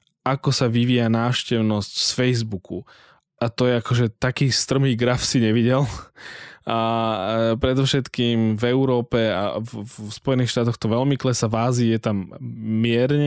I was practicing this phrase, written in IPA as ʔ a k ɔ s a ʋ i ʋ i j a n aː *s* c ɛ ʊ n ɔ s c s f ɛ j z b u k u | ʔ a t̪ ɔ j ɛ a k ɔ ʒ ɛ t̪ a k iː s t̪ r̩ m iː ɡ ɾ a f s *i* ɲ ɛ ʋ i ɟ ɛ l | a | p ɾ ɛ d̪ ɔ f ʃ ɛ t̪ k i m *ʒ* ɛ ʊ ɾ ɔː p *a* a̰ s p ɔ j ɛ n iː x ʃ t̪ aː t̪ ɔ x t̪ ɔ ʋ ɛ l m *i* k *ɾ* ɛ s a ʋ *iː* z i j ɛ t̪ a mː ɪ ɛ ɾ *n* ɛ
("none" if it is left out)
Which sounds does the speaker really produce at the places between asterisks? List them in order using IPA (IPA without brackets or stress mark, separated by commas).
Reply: ʃ, i, v, ɛ, i, l, aː, ɲ